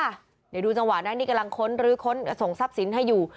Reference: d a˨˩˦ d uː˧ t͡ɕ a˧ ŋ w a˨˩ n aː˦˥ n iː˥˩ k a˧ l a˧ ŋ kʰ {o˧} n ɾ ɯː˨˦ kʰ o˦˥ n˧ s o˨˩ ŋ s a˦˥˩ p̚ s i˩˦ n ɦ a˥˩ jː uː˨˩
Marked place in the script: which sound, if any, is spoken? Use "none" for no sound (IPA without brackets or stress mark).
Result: o˦˥